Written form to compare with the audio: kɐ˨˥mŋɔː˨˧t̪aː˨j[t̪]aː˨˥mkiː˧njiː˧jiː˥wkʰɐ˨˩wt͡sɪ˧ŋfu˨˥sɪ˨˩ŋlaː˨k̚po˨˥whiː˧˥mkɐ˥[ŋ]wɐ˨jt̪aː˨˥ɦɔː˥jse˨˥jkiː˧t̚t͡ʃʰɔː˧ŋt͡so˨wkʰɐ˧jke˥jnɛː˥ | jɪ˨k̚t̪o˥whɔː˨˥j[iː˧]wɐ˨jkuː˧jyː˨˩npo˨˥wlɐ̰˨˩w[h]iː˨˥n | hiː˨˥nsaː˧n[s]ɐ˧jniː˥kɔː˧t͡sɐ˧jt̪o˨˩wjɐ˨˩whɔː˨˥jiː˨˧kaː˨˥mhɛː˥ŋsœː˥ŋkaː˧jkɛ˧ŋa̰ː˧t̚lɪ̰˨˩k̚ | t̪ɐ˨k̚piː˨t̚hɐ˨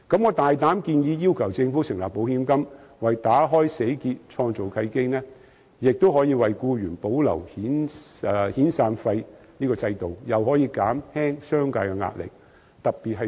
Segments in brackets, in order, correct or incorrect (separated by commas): correct, incorrect, correct, correct, incorrect